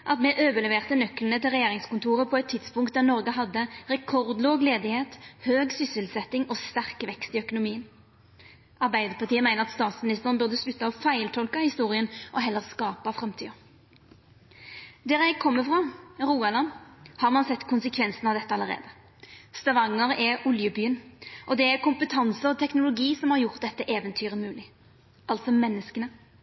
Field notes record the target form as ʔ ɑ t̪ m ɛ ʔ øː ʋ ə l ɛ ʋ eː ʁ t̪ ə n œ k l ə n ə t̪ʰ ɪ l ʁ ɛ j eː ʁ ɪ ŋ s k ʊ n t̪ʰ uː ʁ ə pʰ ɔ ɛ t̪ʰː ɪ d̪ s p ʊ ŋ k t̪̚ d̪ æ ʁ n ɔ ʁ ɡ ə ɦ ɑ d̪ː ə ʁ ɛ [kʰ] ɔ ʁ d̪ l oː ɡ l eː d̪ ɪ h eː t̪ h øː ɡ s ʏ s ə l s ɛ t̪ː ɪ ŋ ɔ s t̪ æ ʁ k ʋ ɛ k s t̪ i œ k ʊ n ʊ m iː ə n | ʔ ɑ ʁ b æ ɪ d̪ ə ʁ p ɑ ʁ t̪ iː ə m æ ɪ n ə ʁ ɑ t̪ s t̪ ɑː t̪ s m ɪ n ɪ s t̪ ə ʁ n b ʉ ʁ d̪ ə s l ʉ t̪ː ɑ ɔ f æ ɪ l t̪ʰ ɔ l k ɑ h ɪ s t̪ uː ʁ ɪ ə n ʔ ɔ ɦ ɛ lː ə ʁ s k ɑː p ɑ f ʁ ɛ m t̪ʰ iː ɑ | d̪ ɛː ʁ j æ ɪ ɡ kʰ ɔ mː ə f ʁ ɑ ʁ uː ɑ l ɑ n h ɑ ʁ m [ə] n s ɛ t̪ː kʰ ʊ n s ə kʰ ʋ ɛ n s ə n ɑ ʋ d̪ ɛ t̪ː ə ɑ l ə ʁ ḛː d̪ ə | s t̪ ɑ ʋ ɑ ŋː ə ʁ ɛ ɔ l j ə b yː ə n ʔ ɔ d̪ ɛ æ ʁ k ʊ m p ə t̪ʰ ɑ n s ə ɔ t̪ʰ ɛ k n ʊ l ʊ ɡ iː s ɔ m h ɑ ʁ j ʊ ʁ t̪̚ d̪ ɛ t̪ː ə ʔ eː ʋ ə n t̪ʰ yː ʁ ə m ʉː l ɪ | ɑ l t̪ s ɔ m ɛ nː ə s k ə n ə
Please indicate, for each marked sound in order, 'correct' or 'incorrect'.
correct, incorrect: ɑ

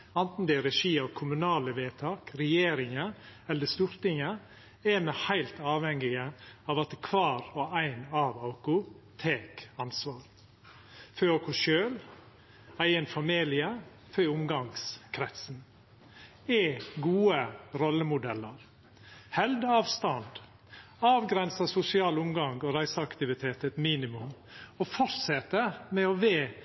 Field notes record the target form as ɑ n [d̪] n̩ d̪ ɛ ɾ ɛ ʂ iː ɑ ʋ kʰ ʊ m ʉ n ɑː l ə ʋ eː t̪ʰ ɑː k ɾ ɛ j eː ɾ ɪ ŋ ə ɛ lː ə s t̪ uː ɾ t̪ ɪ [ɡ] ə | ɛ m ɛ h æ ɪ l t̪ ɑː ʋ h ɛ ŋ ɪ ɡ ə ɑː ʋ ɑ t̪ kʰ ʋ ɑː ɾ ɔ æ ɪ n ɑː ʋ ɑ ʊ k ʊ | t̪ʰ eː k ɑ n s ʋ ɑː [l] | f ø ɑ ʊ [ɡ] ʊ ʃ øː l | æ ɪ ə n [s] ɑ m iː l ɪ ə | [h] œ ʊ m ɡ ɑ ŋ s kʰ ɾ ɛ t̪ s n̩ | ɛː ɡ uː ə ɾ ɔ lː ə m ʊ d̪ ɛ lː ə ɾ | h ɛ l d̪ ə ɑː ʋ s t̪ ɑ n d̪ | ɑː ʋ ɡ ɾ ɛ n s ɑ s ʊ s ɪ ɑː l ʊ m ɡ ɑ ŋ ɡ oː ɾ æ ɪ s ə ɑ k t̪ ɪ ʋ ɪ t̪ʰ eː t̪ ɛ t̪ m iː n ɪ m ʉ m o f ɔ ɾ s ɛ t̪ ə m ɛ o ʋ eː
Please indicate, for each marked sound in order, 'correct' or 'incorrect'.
incorrect: t̪, incorrect: ŋ, incorrect: ɾ, incorrect: k, incorrect: f, incorrect: f

